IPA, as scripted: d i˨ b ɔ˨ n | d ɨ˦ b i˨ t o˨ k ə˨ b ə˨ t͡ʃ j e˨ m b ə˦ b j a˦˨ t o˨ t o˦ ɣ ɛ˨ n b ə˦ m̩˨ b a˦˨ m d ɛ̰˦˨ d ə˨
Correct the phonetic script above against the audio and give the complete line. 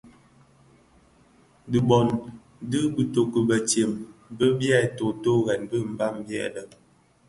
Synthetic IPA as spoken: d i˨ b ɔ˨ n | d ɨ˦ b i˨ t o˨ k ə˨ b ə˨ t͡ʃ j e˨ m b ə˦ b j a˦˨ t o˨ t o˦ ɣ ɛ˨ n b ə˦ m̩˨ b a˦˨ m b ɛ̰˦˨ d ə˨